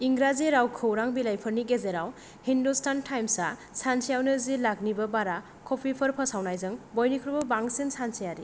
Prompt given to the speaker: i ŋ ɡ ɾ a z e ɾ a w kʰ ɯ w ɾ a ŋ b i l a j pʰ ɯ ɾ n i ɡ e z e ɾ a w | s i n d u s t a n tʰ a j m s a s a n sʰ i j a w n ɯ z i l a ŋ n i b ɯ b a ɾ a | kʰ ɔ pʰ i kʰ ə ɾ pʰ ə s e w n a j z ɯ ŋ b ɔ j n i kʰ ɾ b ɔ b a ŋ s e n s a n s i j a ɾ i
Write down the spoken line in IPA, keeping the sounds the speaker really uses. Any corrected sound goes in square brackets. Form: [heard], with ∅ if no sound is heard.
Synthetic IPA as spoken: i ŋ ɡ ɾ a z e ɾ a w kʰ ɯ w ɾ a ŋ b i l a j pʰ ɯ ɾ n i ɡ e z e ɾ a w | [h] i n d u s t a n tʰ a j m s a s a n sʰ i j a w n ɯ z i l a [ɡ] n i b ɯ b a ɾ a | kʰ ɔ pʰ i [pʰ] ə ɾ pʰ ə s [a] w n a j z ɯ ŋ b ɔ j n i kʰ ɾ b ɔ b a ŋ s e n s a n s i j a ɾ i